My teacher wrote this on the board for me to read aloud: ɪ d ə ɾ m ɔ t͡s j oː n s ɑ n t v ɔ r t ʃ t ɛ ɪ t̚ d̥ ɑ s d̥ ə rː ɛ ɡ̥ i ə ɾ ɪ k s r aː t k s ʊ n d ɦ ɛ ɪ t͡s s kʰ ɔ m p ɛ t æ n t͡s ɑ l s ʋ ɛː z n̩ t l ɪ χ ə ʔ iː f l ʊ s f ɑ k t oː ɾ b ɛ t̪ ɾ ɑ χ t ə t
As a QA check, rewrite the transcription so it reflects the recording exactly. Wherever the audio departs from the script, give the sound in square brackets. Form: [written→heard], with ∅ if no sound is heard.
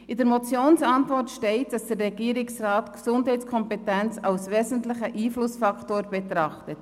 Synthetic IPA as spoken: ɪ d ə ɾ m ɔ t͡s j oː n s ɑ n t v ɔ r t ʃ t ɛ ɪ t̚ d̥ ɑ s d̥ ə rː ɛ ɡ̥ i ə ɾ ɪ k s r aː t k s ʊ n d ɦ ɛ ɪ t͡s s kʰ ɔ m p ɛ t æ n t͡s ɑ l s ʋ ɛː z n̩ t l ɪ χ ə ʔ iː f l ʊ s f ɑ k t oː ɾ b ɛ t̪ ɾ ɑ χ t ə t